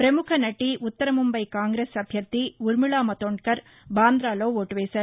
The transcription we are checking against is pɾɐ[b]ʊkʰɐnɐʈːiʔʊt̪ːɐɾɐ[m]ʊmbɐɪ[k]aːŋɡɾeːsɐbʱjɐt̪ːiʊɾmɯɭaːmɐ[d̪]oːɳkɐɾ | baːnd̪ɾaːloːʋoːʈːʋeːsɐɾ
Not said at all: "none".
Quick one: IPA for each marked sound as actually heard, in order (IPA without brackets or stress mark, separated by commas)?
m, m, k, t̪